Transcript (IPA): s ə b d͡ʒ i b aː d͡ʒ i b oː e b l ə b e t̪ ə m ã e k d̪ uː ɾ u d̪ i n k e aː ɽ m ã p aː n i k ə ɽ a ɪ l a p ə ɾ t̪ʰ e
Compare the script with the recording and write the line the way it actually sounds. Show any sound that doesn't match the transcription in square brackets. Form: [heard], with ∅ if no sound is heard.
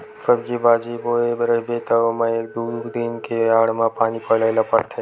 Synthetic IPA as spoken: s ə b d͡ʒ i b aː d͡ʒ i b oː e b [ɾ] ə b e t̪ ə m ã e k d̪ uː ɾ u d̪ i n k e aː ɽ m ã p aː n i [p] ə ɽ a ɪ l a p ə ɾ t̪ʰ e